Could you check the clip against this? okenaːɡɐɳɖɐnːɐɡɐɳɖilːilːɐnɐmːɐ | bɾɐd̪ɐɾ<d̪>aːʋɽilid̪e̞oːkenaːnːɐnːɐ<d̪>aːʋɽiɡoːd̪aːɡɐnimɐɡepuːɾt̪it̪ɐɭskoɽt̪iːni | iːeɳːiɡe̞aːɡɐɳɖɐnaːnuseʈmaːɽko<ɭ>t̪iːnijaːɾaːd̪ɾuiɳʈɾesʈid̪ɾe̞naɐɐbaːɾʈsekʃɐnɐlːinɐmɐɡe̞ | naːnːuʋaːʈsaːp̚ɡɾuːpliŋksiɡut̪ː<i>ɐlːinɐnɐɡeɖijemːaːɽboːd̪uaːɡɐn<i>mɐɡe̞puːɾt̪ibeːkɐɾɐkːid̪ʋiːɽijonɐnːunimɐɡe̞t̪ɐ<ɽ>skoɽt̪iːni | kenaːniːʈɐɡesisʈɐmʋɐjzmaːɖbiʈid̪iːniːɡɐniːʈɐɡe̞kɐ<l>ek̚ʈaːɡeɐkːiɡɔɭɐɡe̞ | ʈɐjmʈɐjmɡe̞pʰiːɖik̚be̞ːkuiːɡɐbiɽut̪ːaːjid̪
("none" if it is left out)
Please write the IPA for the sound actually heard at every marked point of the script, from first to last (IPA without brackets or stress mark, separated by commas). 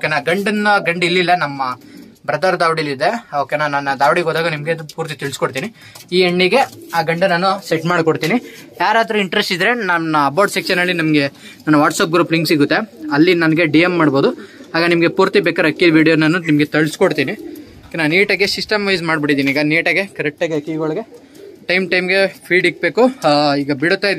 d̪, d̪, ɽ, e, i, ɭ, ɾ